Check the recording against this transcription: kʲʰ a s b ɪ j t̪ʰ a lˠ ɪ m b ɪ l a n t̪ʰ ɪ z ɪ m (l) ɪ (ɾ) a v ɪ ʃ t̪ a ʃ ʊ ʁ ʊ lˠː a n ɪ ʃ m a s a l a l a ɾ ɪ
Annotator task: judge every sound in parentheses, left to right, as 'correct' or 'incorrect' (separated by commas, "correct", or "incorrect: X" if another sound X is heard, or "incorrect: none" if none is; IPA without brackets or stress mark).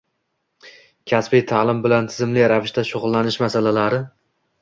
correct, correct